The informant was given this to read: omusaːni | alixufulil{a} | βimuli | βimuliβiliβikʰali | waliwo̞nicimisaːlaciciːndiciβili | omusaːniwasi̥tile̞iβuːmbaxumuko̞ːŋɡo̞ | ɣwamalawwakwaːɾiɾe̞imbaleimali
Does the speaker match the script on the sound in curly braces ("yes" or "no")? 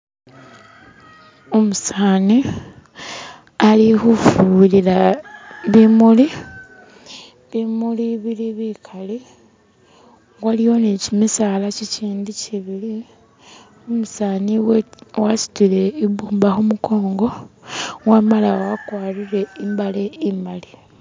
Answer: yes